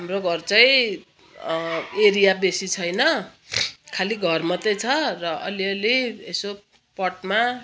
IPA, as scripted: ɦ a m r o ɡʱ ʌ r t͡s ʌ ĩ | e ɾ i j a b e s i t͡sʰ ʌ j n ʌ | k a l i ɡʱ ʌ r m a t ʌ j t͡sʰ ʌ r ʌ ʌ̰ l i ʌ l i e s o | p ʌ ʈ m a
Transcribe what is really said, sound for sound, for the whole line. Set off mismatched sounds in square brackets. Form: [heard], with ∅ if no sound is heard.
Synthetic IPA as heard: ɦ a m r o ɡʱ ʌ r t͡s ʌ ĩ | e ɾ i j a b e s i t͡sʰ ʌ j n ʌ | [kʰ] a l i ɡʱ ʌ r m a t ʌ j t͡sʰ ʌ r ʌ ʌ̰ l i ʌ l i e s o | p ʌ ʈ m a